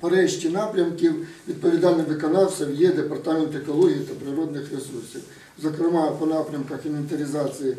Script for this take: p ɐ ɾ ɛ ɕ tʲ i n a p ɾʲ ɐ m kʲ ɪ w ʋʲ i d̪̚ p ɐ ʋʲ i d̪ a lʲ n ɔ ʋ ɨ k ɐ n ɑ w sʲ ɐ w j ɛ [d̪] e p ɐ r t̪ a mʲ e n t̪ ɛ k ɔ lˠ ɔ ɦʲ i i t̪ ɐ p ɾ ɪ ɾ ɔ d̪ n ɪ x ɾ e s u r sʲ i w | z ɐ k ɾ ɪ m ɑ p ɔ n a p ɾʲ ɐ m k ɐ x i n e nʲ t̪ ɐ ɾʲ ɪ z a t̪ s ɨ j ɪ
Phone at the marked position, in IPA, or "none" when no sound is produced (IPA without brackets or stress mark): d̪